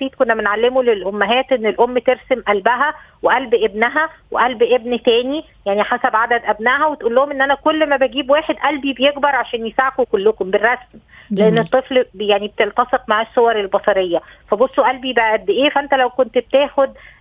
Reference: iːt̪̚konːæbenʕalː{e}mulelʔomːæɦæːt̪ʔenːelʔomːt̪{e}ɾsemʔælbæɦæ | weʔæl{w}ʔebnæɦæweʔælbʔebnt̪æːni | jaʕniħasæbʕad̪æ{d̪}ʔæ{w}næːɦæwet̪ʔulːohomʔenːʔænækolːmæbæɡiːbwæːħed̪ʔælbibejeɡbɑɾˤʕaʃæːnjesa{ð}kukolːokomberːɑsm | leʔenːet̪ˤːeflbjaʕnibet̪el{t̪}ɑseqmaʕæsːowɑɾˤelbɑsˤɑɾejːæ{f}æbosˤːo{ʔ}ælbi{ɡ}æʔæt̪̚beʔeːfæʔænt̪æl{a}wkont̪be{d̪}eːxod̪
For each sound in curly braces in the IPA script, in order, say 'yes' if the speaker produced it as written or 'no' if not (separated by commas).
yes, yes, no, yes, no, no, yes, yes, yes, no, no, no